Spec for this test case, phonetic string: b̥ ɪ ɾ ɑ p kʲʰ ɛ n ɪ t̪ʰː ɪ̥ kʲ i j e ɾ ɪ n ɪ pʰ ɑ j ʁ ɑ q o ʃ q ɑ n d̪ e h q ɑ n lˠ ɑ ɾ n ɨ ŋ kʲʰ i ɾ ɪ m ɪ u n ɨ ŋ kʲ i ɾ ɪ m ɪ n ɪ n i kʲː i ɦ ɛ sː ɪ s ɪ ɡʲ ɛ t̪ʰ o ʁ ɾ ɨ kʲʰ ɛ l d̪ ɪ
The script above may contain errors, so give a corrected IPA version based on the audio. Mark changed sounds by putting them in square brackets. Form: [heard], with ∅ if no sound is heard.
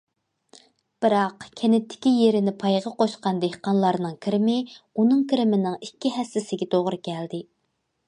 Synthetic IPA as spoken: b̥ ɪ ɾ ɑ [q] kʲʰ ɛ n ɪ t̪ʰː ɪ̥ kʲ i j e ɾ ɪ n ɪ pʰ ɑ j ʁ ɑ q o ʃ q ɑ n d̪ e h q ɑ n lˠ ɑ ɾ n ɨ ŋ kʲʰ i ɾ ɪ m ɪ u n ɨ ŋ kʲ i ɾ ɪ m ɪ n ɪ [ŋ] i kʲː i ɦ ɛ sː ɪ s ɪ ɡʲ ɛ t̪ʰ o ʁ ɾ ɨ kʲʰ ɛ l d̪ ɪ